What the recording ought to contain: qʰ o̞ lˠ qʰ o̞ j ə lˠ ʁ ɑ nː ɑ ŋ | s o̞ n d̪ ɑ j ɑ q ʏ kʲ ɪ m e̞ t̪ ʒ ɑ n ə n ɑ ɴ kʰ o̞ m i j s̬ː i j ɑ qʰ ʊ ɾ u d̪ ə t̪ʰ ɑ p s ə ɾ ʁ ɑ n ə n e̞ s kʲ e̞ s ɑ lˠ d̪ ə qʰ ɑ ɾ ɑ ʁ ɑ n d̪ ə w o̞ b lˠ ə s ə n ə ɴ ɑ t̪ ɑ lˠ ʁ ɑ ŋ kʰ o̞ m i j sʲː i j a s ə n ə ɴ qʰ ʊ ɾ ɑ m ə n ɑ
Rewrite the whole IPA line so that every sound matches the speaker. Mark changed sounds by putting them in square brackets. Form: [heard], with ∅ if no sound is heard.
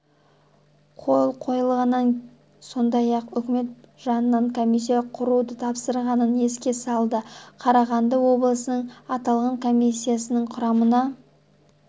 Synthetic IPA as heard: qʰ o̞ lˠ qʰ o̞ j ə lˠ ʁ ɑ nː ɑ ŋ | s o̞ n d̪ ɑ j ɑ q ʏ kʲ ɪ m e̞ t̪ ʒ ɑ n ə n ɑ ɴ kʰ o̞ m i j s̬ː i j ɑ qʰ ʊ ɾ u d̪ ə t̪ʰ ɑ p s ə ɾ ʁ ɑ n ə n e̞ s kʲ e̞ s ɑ lˠ d̪ ə qʰ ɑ ɾ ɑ ʁ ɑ n d̪ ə w o̞ b lˠ ə s ə n ə ɴ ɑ t̪ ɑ lˠ ʁ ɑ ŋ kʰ o̞ m i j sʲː i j a s ə n ə ɴ qʰ ʊ ɾ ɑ m ə n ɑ